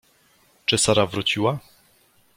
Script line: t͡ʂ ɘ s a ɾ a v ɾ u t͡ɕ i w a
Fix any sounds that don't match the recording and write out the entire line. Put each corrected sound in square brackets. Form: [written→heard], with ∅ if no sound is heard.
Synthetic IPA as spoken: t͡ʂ ɘ s a ɾ a v ɾ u t͡ɕ i w a